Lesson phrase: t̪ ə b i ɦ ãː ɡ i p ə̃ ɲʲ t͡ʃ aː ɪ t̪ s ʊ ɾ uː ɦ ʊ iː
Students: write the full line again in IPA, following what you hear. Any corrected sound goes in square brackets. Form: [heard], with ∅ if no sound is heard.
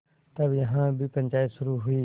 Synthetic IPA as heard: t̪ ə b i ɦ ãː [b] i p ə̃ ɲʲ t͡ʃ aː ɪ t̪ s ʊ ɾ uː ɦ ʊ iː